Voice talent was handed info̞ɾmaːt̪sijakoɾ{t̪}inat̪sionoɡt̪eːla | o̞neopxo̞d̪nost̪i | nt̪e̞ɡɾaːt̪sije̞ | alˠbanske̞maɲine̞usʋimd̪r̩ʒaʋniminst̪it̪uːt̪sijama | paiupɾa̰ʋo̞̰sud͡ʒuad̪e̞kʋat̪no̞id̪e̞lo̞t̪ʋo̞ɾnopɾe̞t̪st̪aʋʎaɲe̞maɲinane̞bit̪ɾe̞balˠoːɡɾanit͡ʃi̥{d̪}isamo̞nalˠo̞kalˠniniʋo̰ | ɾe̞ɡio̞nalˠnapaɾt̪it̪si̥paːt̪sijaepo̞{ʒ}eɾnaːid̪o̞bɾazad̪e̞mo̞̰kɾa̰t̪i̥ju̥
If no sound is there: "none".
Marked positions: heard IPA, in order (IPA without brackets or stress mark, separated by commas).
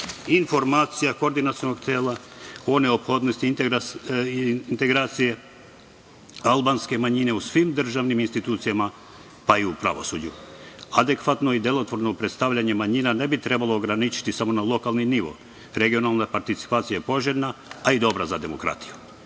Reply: d̪, t̪, ʒ